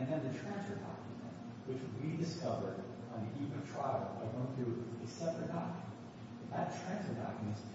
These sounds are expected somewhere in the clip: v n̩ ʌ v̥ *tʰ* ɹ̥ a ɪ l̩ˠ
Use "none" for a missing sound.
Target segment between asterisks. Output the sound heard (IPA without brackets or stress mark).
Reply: tʰ